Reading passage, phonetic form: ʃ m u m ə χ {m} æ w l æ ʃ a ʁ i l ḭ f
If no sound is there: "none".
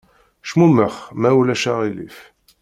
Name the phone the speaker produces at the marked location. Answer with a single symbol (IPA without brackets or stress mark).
m